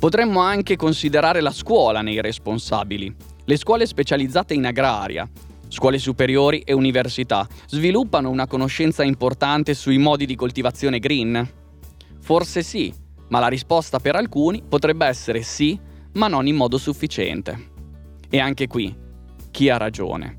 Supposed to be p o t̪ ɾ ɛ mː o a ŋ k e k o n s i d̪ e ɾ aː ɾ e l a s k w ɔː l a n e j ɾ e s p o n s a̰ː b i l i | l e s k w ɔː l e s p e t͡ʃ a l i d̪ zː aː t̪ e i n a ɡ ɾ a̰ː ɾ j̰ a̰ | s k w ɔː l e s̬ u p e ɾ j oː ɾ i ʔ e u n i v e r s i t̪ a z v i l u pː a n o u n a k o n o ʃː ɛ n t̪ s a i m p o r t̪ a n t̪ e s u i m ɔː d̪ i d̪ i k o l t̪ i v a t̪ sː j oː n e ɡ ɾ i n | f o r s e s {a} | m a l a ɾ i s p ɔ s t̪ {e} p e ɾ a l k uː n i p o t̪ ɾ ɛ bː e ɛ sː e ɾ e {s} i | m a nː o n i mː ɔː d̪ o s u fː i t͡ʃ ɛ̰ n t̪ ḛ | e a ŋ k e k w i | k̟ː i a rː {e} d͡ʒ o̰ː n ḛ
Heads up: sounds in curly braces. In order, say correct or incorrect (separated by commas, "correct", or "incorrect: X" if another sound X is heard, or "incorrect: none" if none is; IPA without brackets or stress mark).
incorrect: i, incorrect: a, correct, incorrect: a